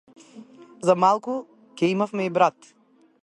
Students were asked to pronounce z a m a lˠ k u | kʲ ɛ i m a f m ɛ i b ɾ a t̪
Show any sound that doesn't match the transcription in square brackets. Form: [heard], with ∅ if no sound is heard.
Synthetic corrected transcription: z a m a lˠ k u | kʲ ɛ i m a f m ɛ i b ɾ a t̪